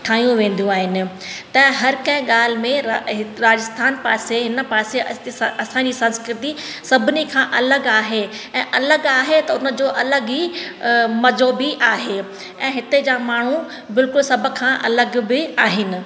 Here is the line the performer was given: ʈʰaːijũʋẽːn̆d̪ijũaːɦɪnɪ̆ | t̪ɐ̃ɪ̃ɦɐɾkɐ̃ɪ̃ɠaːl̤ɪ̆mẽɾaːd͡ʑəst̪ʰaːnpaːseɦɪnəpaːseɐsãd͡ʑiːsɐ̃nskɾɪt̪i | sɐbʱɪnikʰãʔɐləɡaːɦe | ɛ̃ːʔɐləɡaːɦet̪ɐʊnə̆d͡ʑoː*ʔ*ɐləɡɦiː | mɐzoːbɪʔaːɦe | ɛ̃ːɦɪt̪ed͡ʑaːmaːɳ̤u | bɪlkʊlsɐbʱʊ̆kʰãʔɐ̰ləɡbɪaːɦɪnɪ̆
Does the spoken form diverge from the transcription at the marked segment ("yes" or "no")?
no